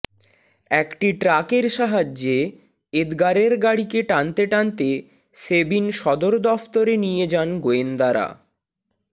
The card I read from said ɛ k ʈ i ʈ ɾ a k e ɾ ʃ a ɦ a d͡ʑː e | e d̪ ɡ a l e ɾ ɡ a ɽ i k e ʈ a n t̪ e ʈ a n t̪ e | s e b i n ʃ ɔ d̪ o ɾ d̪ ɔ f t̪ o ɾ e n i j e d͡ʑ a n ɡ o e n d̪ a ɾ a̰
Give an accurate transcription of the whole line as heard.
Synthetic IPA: ɛ k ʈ i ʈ ɾ a k e ɾ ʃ a ɦ a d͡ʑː e | e d̪ ɡ a ɾ e ɾ ɡ a ɽ i k e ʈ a n t̪ e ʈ a n t̪ e | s e b i n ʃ ɔ d̪ o ɾ d̪ ɔ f t̪ o ɾ e n i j e d͡ʑ a n ɡ o e n d̪ a ɾ a̰